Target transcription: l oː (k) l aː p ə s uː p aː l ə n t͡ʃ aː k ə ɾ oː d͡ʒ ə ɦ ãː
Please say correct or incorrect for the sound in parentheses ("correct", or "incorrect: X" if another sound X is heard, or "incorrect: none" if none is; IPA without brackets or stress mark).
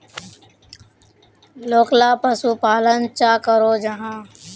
correct